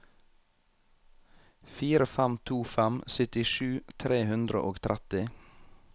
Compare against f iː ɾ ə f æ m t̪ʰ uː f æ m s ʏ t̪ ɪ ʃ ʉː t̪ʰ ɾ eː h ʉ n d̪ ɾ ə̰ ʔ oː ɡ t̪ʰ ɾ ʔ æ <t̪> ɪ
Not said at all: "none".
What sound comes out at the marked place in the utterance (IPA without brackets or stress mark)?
t̪